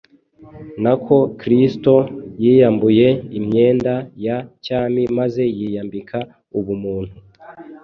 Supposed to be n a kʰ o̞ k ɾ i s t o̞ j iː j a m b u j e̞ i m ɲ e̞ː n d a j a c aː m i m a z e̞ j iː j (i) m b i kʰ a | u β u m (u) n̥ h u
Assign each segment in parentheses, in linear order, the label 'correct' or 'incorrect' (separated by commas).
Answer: incorrect, incorrect